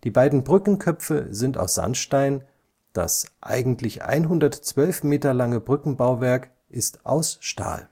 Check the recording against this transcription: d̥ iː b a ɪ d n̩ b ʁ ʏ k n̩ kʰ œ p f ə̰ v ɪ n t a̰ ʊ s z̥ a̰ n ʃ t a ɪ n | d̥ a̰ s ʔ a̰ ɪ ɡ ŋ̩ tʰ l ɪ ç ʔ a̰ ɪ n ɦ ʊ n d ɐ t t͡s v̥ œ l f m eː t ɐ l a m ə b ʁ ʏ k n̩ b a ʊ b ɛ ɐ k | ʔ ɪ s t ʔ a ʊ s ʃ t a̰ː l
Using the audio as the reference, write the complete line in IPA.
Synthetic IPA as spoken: d̥ iː b a ɪ d n̩ b ʁ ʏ k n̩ kʰ œ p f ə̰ z ɪ n t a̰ ʊ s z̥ a̰ n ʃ t a ɪ n | d̥ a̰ s ʔ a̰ ɪ ɡ ŋ̩ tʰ l ɪ ç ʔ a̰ ɪ n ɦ ʊ n d ɐ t t͡s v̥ œ l f m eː t ɐ l a ŋ ə b ʁ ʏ k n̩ b a ʊ v ɛ ɐ k | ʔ ɪ s t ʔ a ʊ s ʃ t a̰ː l

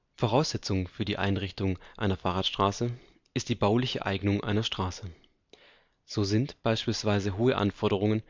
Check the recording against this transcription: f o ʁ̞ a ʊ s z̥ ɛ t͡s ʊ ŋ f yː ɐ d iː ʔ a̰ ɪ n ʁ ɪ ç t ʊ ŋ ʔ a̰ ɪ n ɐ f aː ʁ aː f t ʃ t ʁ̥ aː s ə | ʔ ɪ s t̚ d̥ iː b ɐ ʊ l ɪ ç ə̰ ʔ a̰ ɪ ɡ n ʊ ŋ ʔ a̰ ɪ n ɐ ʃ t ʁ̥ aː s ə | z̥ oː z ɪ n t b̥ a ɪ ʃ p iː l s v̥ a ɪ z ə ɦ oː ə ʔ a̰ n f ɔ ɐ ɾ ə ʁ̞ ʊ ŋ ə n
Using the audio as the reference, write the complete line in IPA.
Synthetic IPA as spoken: f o ʁ̞ a ʊ s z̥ ɛ t͡s ʊ ŋ f yː ɐ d iː ʔ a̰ ɪ n ʁ ɪ ç t ʊ ŋ ʔ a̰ ɪ n ɐ f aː ʁ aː t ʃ t ʁ̥ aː s ə | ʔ ɪ s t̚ d̥ iː b a ʊ l ɪ ç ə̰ ʔ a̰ ɪ ɡ n ʊ ŋ ʔ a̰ ɪ n ɐ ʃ t ʁ̥ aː s ə | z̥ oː z ɪ n t b̥ a ɪ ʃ p iː l s v̥ a ɪ z ə ɦ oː ə ʔ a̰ n f ɔ ɐ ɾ ə ʁ̞ ʊ ŋ ə n

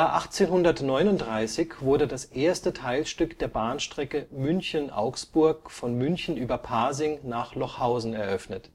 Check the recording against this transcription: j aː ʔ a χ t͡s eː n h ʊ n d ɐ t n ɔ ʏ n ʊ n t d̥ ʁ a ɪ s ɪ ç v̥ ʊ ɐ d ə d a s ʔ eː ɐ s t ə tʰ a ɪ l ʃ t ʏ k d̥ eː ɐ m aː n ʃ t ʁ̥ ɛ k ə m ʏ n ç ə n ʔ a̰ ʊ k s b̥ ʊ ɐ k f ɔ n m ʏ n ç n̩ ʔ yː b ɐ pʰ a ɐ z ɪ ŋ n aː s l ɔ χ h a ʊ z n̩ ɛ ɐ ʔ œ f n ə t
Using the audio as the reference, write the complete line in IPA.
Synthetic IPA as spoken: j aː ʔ a χ t͡s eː n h ʊ n d ɐ t n ɔ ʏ n ʊ n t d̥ ʁ a ɪ s ɪ ç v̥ ʊ ɐ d ə d a s ʔ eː ɐ s t ə tʰ a ɪ l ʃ t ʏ k d̥ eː ɐ b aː n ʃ t ʁ̥ ɛ k ə m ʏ n ç ə n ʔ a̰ ʊ k s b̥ ʊ ɐ k f ɔ n m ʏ n ç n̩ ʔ yː b ɐ pʰ a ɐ z ɪ ŋ n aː χ l ɔ χ h a ʊ z n̩ ɛ ɐ ʔ œ f n ə t

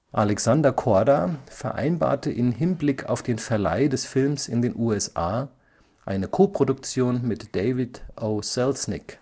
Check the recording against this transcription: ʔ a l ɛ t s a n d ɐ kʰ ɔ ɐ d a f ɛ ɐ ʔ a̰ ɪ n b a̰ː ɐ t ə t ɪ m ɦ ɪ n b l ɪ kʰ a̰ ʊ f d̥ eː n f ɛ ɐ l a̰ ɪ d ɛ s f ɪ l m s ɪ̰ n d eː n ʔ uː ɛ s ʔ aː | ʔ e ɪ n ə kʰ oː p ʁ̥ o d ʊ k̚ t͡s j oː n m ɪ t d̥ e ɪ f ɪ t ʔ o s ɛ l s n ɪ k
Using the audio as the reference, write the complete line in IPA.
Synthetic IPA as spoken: ʔ a l ɛ k s a n d ɐ kʰ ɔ ɐ d a f ɛ ɐ ʔ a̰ ɪ n b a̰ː ɐ t ə ʔ ɪ m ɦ ɪ n b l ɪ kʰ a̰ ʊ f d̥ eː n f ɛ ɐ l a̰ ɪ d ɛ s f ɪ l m s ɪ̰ n d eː n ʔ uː ɛ s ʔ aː | ʔ a ɪ n ə kʰ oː p ʁ̥ o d ʊ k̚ t͡s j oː n m ɪ t d̥ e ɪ v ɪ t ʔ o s ɛ l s n ɪ k

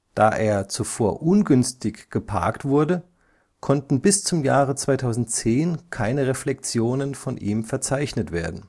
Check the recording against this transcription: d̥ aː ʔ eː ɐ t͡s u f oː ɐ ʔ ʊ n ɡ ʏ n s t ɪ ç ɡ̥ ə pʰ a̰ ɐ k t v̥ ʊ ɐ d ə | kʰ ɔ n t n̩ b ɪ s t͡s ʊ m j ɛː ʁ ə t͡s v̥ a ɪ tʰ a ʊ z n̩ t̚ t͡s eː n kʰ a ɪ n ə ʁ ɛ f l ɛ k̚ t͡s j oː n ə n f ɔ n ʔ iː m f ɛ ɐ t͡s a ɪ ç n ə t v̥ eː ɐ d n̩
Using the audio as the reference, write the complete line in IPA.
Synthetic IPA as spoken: d̥ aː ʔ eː ɐ t͡s u f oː ɐ ʔ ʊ n ɡ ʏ n s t ɪ ç ɡ̥ ə pʰ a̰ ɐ k t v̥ ʊ ɐ d ə | kʰ ɔ n t n̩ b ɪ s t͡s ʊ m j aː ʁ ə t͡s v̥ a ɪ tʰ a ʊ z n̩ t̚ t͡s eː n kʰ a ɪ n ə ʁ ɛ f l ɛ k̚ t͡s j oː n ə n f ɔ n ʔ iː m f ɛ ɐ t͡s a ɪ ç n ə t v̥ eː ɐ d n̩

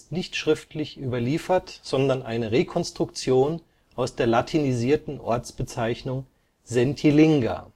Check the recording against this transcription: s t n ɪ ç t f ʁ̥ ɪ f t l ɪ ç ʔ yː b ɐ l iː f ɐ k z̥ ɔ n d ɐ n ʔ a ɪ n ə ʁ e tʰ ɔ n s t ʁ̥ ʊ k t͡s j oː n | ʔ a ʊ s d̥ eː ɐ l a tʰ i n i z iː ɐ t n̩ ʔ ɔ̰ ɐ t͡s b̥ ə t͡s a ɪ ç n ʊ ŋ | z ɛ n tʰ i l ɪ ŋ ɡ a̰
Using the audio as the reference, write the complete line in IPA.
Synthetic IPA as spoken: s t n ɪ ç t ʃ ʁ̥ ɪ f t l ɪ ç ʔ yː b ɐ l iː f ɐ t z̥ ɔ n d ɐ n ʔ a ɪ n ə ʁ e kʰ ɔ n s t ʁ̥ ʊ k t͡s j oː n | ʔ a ʊ s d̥ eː ɐ l a tʰ i n i z iː ɐ t n̩ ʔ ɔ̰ ɐ t͡s b̥ ə t͡s a ɪ ç n ʊ ŋ | z ɛ n tʰ i l ɪ ŋ ɡ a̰

